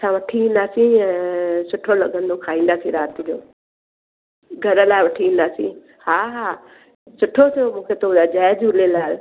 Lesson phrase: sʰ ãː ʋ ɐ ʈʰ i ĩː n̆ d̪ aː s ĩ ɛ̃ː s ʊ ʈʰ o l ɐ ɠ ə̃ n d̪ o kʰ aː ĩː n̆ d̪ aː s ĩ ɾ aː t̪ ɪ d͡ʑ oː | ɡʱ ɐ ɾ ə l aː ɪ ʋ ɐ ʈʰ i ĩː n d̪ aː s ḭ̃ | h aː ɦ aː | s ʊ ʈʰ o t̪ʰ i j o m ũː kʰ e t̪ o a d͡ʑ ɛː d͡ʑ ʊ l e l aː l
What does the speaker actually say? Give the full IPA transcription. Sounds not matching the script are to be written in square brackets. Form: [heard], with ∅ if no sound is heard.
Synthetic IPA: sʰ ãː ʋ ɐ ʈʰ i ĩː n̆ d̪ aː s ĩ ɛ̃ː s ʊ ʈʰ o l ɐ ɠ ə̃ n d̪ o kʰ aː ĩː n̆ d̪ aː s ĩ ɾ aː t̪ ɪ d͡ʑ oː | ɡʱ ɐ ɾ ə l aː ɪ ʋ ɐ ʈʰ i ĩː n d̪ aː s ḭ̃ | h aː ɦ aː | s ʊ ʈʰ o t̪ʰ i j o m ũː kʰ e t̪ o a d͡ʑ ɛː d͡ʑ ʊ l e l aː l